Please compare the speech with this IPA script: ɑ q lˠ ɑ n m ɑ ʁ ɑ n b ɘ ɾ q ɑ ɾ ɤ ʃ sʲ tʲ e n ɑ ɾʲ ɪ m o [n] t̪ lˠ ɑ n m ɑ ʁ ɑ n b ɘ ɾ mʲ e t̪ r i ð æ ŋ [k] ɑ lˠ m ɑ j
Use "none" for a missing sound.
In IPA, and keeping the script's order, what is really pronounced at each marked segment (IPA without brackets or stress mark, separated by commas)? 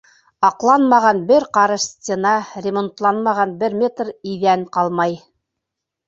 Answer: n, q